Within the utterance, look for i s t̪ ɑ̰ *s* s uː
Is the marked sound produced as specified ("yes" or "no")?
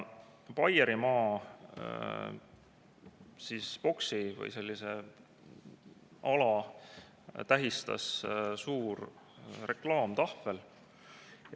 yes